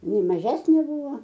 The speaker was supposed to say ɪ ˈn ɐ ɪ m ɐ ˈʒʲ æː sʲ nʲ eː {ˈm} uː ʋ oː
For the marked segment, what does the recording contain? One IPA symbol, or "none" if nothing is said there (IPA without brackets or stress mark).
b